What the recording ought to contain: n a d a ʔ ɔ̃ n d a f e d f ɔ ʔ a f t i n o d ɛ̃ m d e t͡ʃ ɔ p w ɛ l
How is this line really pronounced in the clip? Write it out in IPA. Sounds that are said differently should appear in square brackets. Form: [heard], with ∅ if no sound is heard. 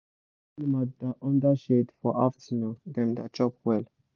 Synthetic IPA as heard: [m] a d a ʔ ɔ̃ n d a [ʃ] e d f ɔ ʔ a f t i n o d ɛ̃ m d [a] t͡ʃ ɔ p w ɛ l